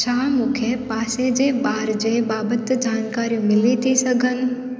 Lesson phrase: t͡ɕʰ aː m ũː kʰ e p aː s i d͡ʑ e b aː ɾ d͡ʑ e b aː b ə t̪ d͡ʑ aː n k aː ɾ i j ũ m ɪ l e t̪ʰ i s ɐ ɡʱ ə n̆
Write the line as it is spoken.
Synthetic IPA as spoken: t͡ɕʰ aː m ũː kʰ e p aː s e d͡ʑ e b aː ɾ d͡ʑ e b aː b ə t̪ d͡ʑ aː n k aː ɾ i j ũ m ɪ l i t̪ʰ i s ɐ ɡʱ ə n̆